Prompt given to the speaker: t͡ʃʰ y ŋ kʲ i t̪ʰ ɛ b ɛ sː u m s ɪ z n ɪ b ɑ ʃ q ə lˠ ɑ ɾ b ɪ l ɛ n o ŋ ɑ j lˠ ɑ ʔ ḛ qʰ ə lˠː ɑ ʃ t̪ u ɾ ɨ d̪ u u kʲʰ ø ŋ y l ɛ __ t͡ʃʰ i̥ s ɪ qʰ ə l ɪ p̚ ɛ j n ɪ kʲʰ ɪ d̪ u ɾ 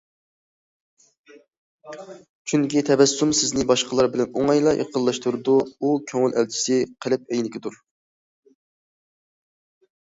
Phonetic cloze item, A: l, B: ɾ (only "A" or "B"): A